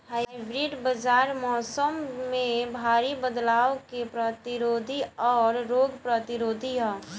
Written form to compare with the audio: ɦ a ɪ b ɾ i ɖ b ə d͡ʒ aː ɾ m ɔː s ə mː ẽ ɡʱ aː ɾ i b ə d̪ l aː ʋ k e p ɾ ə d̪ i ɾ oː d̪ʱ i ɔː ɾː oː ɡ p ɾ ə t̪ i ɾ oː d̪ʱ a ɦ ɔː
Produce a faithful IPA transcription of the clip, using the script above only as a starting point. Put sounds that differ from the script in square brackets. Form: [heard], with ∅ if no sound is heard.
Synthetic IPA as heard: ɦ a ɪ b ɾ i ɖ b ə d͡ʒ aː ɾ m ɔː s ə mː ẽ [bʱ] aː ɾ i b ə d̪ l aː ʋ k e p ɾ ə [t̪] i ɾ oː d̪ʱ i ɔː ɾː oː ɡ p ɾ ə t̪ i ɾ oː d̪ʱ [i] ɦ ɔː